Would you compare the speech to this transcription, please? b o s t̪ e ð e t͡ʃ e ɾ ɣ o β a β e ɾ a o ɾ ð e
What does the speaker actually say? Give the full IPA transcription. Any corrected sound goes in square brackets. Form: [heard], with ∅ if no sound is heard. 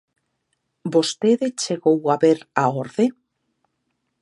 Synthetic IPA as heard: b o s t̪ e ð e t͡ʃ e [∅] ɣ o [w] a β e ɾ a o ɾ ð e